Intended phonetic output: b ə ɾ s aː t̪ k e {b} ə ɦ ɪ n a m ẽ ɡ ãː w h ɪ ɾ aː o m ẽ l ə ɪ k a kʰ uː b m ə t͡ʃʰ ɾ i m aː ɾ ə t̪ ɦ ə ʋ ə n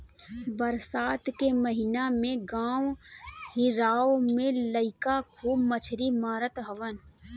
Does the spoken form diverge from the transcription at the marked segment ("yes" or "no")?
yes